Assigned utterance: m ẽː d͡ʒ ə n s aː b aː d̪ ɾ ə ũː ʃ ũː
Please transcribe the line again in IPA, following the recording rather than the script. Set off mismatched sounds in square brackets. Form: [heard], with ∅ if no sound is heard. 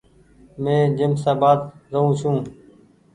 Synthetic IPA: m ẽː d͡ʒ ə [m] s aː b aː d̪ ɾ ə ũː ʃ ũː